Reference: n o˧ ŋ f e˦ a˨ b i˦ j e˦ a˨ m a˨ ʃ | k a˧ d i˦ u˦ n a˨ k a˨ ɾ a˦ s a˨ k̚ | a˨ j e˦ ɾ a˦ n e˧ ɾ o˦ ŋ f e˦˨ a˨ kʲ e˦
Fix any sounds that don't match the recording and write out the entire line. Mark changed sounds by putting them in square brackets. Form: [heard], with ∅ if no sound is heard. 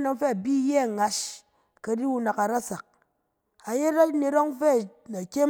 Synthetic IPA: n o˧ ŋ f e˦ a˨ b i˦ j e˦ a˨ [ŋ] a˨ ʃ | k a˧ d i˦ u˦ n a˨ k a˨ ɾ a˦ s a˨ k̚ | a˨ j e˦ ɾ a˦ n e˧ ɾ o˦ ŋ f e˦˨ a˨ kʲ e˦